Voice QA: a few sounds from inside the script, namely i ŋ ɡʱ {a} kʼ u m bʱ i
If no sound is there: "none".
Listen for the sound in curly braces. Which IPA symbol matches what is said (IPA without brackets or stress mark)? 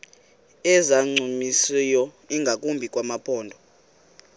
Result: a